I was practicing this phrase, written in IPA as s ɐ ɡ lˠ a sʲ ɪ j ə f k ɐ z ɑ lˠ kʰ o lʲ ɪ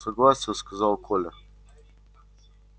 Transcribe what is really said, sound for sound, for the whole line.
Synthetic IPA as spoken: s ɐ ɡ lˠ a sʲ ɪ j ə s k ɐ z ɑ lˠ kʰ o lʲ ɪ